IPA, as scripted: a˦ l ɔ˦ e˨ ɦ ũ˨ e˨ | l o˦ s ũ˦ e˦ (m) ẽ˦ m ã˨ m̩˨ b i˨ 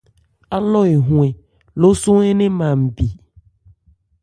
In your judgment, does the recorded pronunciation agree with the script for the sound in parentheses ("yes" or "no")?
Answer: no